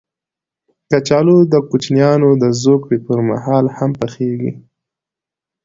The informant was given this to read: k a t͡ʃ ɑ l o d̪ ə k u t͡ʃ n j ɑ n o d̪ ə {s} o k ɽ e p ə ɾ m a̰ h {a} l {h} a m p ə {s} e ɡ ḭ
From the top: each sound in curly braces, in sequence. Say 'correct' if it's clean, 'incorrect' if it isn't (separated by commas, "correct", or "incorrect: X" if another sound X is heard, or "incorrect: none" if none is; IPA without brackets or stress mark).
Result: incorrect: z, incorrect: ɑ, correct, incorrect: x